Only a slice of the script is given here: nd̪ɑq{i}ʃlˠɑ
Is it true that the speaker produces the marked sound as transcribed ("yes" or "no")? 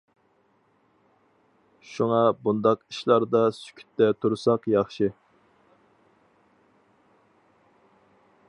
yes